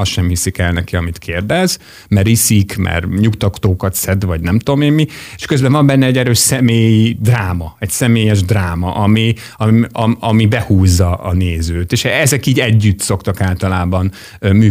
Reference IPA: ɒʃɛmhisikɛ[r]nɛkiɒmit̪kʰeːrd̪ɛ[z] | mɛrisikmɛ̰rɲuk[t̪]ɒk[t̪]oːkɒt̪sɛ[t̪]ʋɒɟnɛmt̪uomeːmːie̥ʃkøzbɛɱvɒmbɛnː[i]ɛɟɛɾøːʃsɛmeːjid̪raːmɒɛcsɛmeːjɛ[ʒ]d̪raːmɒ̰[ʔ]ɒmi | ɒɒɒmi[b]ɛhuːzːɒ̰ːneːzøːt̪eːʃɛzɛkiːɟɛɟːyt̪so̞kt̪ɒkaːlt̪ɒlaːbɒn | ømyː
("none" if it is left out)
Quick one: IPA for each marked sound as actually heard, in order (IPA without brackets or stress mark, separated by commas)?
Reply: l, z, t̪, t̪, d̪, ɛ, ʒ, ʔ, b